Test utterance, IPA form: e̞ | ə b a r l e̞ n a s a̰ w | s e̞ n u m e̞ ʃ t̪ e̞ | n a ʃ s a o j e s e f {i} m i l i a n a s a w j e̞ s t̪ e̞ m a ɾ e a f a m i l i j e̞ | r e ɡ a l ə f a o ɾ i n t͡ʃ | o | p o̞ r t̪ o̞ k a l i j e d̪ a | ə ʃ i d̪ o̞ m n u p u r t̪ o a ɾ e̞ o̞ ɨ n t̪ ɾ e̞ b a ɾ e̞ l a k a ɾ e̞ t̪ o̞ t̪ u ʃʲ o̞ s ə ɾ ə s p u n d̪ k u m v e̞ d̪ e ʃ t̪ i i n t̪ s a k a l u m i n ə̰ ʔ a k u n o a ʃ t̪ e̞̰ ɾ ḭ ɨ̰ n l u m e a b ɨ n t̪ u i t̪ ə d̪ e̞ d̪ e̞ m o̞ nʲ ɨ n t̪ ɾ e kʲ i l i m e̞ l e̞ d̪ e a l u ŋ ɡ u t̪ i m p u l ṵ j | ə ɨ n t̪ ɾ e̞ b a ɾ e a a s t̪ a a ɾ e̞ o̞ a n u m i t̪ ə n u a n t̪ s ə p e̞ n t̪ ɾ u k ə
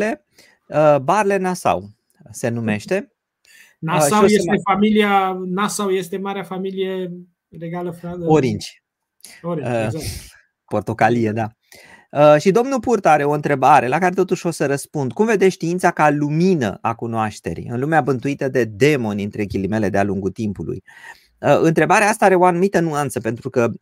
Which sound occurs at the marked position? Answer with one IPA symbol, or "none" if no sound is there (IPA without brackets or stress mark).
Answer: a